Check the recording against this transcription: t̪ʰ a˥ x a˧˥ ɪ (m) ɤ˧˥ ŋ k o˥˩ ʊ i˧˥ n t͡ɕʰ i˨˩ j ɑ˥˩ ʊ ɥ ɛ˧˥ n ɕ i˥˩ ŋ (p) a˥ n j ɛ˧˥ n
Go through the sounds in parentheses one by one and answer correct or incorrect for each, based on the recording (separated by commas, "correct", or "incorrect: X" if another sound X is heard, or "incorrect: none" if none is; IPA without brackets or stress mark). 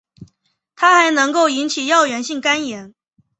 incorrect: n, incorrect: k